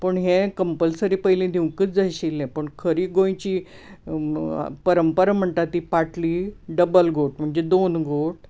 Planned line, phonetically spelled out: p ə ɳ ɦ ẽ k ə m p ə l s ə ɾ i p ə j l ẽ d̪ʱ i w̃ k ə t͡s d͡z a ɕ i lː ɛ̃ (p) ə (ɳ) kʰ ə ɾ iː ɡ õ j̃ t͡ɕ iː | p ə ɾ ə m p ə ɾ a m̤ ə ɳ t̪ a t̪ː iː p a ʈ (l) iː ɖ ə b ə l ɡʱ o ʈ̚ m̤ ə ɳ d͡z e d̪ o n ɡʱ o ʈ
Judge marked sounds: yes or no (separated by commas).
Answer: yes, yes, yes